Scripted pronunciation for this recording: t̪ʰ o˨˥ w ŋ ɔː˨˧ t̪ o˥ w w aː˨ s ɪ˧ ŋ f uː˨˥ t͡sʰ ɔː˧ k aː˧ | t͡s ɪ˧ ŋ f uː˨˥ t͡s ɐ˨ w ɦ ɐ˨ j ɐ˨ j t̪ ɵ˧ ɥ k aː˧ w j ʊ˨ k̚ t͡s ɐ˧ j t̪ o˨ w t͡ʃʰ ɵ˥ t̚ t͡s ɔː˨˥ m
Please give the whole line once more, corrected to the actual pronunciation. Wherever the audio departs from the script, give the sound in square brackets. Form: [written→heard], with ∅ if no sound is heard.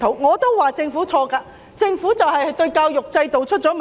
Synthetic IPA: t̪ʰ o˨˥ w ŋ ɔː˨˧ t̪ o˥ w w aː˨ [s→t͡s] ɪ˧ ŋ f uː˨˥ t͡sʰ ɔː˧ k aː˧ | t͡s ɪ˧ ŋ f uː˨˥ t͡s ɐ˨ w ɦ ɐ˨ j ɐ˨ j t̪ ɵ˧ ɥ k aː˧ w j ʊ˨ k̚ t͡s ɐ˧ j t̪ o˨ w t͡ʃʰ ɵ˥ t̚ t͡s ɔː˨˥ m

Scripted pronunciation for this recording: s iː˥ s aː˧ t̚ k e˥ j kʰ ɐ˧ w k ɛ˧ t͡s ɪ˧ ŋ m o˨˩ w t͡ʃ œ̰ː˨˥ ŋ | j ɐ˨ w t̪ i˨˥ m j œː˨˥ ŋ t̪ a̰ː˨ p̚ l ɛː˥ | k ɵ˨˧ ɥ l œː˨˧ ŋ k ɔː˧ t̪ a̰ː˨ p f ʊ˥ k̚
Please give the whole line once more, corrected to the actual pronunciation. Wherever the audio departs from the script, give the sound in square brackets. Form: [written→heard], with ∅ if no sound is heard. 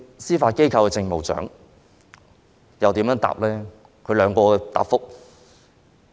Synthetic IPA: s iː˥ [s→f] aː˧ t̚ k e˥ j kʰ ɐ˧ w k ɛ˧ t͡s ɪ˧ ŋ m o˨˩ w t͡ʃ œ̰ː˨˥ ŋ | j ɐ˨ w t̪ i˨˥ m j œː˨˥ ŋ t̪ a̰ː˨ p̚ l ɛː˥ | [k→kʰ] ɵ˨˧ ɥ l œː˨˧ ŋ k ɔː˧ t̪ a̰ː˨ p f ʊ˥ k̚

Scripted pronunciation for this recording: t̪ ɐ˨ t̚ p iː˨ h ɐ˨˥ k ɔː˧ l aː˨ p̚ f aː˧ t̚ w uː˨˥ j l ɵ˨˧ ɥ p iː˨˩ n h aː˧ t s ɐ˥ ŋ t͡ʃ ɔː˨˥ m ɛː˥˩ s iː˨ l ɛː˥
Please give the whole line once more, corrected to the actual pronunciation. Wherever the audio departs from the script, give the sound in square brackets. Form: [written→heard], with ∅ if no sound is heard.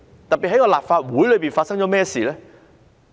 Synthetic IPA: t̪ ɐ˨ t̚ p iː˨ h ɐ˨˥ k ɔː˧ l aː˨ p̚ f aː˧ t̚ w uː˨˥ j l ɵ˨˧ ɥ p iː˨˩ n [h→f] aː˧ t s ɐ˥ ŋ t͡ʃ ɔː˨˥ m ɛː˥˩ s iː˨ l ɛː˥

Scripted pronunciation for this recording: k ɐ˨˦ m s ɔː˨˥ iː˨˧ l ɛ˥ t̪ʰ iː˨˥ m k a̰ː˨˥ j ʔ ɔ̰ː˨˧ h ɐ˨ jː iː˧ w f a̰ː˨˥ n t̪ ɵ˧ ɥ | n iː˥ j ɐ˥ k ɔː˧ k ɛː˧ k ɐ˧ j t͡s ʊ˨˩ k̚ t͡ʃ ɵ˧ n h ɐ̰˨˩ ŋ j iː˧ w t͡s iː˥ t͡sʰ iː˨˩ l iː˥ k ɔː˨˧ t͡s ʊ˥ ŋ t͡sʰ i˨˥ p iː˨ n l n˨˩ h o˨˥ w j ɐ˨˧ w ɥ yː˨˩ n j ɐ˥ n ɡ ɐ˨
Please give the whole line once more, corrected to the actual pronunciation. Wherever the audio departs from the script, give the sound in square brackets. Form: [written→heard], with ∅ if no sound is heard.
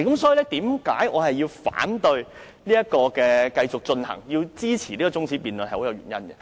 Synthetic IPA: k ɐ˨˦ m s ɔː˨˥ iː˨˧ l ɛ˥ [t̪ʰ→t̪] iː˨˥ m k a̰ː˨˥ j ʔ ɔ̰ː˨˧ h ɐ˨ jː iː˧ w f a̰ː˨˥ n t̪ ɵ˧ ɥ | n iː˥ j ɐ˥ k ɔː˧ k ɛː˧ k ɐ˧ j t͡s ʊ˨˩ k̚ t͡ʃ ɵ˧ n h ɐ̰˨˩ ŋ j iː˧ w t͡s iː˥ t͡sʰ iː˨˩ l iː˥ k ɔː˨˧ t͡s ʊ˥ ŋ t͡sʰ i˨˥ p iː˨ n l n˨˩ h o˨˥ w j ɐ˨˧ w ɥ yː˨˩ n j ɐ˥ n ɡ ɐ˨

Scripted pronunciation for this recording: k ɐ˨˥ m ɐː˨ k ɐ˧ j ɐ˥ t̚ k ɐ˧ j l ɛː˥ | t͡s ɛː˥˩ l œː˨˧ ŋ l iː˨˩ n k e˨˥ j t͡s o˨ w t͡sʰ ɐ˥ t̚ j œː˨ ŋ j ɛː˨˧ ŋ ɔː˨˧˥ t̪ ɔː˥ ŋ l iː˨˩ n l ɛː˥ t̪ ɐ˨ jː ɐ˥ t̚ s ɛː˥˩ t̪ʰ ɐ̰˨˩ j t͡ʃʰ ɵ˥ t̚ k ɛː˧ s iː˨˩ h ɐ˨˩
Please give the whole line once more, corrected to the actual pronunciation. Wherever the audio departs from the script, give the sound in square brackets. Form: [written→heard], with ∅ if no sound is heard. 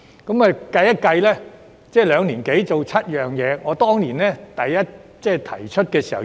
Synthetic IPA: k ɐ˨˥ m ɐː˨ k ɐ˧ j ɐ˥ t̚ k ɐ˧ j l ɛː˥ | t͡s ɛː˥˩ l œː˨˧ ŋ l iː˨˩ n k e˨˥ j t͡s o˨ w t͡sʰ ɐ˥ t̚ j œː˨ ŋ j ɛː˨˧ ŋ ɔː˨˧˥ t̪ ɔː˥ ŋ l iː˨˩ n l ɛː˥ t̪ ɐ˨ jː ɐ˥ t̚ [s→t͡s] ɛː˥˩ t̪ʰ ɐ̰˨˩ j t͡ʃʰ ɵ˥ t̚ k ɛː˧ s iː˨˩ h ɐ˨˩

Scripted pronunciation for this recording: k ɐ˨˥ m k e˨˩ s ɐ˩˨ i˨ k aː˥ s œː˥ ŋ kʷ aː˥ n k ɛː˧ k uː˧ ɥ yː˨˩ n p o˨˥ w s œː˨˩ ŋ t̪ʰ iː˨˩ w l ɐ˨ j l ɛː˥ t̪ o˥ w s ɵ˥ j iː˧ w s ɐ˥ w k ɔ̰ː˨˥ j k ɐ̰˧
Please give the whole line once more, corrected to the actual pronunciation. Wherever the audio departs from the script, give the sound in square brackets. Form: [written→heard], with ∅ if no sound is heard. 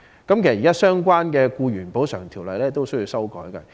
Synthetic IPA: k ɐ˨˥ m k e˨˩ s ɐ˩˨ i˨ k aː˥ s œː˥ ŋ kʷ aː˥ n k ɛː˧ k uː˧ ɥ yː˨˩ n p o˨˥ w s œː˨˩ ŋ t̪ʰ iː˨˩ w l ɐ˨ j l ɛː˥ t̪ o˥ w s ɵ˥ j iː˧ w s ɐ˥ w k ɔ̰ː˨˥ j k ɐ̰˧

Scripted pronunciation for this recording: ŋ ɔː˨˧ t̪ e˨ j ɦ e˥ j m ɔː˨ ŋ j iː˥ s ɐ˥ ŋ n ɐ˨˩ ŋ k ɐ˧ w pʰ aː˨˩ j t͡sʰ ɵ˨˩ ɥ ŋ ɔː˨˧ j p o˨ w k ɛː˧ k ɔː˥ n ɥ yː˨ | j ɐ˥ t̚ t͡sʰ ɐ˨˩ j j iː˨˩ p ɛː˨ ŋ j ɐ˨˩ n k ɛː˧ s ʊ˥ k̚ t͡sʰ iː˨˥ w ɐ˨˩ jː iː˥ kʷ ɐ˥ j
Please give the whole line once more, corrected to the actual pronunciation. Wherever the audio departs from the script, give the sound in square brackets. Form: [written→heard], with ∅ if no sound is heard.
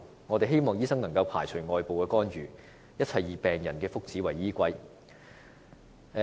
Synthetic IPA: ŋ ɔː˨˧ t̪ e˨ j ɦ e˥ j m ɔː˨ ŋ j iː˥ s ɐ˥ ŋ n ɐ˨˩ ŋ k ɐ˧ w pʰ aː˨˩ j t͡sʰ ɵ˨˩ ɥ ŋ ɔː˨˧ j p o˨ w k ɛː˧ k ɔː˥ n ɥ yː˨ | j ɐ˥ t̚ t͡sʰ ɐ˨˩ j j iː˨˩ p ɛː˨ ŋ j ɐ˨˩ n k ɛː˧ [s→f] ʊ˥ k̚ [t͡sʰ→t͡s] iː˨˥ w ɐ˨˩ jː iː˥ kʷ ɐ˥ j

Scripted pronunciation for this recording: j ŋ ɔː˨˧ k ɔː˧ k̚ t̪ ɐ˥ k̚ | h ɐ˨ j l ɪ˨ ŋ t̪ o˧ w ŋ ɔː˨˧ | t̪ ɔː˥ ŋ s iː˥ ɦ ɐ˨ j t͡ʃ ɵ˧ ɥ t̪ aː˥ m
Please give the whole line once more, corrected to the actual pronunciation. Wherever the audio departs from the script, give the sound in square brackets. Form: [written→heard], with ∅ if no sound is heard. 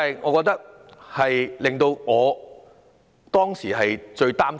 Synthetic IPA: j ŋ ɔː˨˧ k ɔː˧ k̚ t̪ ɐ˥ k̚ | h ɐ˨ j l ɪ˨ ŋ t̪ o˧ w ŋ ɔː˨˧ | t̪ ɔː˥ ŋ s [iː˥→iː˨˩] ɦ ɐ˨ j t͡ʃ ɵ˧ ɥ t̪ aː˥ m

